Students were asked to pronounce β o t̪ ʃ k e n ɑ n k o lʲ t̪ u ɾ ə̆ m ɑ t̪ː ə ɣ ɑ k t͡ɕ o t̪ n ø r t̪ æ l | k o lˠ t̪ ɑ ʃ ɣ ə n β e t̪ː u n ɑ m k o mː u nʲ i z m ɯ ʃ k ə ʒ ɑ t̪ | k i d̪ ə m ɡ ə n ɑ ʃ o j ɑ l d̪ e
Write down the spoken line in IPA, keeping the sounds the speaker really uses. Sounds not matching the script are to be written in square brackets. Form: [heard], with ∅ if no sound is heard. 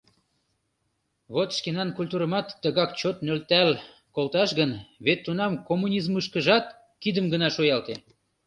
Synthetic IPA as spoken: β o t̪ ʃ k e n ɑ n k [u] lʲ t̪ u ɾ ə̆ m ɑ t̪ː ə ɣ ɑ k t͡ɕ o t̪ n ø [l] t̪ æ l | k o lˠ t̪ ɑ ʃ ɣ ə n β e t̪ː u n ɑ m k o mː u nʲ i z m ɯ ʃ k ə ʒ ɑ t̪ | k i d̪ ə m ɡ ə n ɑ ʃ o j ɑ l [t̪] e